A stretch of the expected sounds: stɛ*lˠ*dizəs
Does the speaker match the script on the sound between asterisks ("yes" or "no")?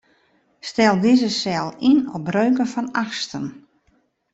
yes